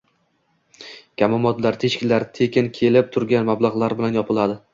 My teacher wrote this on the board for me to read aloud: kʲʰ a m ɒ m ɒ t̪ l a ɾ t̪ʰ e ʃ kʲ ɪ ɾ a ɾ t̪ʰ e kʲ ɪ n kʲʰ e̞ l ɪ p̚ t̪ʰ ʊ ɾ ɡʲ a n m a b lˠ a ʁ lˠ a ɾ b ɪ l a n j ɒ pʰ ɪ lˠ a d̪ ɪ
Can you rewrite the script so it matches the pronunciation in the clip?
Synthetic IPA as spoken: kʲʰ a m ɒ m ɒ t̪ l a ɾ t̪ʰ e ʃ kʲ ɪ l a ɾ t̪ʰ e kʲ ɪ n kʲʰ e̞ l ɪ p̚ t̪ʰ ʊ ɾ ɡʲ a n m a b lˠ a ʁ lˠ a ɾ b ɪ l a n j ɒ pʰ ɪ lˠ a d̪ ɪ